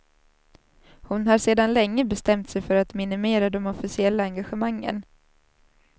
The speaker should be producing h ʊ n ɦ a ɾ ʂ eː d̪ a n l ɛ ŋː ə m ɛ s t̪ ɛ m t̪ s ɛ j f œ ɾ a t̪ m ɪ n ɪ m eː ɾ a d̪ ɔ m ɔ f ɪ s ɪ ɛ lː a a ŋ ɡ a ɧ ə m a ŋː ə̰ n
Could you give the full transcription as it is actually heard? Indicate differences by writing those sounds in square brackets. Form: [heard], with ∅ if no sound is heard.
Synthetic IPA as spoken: h ʊ n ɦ a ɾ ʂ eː d̪ a n l ɛ ŋː ə [b] ɛ s t̪ ɛ m t̪ s ɛ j f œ ɾ a t̪ m ɪ n ɪ m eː ɾ a d̪ ɔ m ɔ f ɪ s ɪ ɛ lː a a ŋ ɡ a ɧ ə m a ŋː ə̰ n